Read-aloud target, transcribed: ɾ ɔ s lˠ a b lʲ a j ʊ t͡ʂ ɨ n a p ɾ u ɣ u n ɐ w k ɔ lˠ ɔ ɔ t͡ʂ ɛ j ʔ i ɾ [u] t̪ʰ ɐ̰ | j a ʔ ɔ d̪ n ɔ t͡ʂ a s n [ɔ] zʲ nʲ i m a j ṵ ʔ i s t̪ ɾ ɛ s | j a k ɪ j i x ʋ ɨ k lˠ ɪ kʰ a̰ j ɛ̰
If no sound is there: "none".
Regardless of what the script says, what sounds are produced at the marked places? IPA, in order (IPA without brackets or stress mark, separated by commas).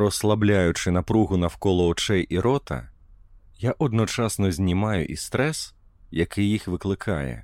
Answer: ɔ, ɔ